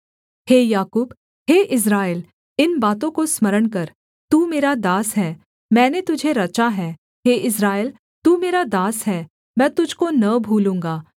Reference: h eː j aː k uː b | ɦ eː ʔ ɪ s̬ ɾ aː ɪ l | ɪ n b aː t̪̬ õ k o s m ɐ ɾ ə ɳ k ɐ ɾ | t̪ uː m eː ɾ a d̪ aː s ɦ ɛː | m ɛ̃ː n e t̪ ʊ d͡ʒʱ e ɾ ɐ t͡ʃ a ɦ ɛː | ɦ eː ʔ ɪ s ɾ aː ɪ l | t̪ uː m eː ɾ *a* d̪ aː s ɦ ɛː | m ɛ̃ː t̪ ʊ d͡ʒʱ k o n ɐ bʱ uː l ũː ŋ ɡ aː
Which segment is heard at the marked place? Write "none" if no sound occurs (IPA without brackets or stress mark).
a